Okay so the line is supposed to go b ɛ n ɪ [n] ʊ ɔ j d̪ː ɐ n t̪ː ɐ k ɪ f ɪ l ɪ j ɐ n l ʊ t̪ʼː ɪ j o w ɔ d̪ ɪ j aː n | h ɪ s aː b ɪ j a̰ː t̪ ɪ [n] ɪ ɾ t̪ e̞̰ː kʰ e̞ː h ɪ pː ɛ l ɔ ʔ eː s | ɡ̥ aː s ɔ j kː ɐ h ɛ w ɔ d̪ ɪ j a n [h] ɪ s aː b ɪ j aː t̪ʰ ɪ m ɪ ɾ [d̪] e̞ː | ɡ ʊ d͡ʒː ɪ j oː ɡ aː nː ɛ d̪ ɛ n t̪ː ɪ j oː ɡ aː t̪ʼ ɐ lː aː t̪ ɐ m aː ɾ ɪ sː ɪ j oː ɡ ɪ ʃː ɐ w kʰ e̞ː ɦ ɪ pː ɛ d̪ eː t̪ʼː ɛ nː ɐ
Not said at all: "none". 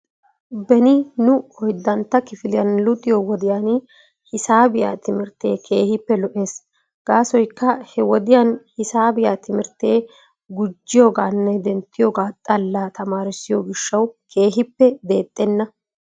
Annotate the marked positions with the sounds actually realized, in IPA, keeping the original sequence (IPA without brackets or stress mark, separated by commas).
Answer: n, m, h, t̪